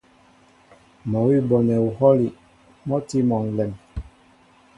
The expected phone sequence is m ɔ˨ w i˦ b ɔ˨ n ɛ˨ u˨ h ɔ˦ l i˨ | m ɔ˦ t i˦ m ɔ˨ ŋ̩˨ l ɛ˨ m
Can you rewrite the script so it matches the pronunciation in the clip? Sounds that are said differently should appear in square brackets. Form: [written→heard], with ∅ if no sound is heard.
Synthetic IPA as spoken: m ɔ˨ w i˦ b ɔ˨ n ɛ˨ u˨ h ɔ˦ l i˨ | m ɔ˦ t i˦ m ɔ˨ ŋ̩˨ l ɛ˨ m